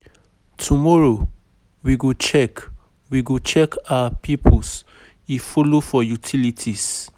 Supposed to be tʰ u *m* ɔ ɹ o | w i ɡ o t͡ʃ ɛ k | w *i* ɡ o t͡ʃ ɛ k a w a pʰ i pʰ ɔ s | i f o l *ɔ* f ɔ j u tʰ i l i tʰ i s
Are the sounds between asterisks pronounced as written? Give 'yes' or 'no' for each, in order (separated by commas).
yes, yes, no